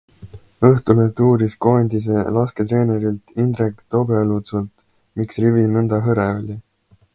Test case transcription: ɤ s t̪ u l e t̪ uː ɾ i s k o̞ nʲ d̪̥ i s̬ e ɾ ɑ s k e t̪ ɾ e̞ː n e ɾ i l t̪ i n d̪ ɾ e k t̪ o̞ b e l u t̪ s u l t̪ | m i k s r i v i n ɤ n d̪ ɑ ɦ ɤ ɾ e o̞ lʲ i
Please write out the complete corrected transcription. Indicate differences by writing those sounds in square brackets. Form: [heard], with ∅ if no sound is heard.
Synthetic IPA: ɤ [h] t̪ u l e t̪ uː ɾ i s k o̞ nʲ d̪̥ i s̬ e [l] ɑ s k e t̪ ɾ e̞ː n e ɾ i l t̪ i n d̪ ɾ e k t̪ o̞ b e l u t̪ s u l t̪ | m i k s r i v i n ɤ n d̪ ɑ ɦ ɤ ɾ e o̞ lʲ i